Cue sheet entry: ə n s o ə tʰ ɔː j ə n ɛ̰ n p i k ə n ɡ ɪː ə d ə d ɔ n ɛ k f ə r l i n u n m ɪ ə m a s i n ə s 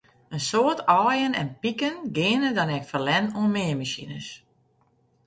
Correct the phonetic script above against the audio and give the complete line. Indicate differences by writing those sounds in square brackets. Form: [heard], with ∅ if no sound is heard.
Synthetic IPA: ə n s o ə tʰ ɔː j ə n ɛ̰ n p i k ə n ɡ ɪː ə [n] ə d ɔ n ɛ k f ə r l [ɛ] n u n m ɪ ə m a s i n ə s